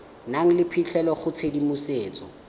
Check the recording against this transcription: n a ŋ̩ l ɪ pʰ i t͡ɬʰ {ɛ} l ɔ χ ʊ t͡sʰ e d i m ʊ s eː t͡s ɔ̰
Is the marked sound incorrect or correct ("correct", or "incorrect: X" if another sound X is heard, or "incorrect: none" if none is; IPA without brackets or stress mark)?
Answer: correct